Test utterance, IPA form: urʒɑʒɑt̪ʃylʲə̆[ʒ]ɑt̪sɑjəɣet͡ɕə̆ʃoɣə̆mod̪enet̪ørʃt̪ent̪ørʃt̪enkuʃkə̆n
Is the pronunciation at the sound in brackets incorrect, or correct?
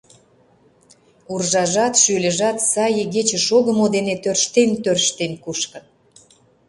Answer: correct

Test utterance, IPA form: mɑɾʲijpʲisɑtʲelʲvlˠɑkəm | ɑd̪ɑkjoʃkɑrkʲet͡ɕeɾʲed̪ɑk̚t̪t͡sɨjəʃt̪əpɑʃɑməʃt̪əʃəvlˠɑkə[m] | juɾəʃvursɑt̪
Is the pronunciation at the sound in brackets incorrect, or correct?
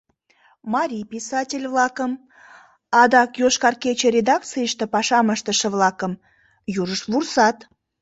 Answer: correct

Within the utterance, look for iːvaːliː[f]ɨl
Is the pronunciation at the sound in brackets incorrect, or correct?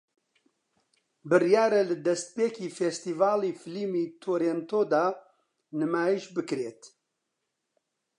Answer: correct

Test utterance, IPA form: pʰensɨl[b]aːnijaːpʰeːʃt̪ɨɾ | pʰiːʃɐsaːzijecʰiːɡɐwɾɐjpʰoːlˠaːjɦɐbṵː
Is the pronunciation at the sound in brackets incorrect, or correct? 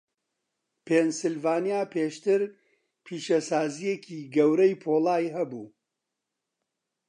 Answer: incorrect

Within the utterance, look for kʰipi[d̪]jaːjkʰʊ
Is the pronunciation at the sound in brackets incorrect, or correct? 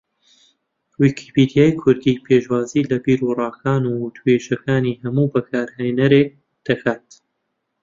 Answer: correct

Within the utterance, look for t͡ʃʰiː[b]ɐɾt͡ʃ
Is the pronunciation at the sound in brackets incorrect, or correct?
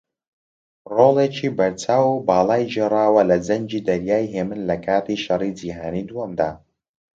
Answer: correct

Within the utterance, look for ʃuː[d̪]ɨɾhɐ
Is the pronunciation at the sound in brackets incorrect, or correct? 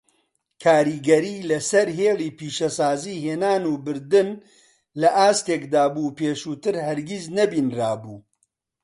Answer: incorrect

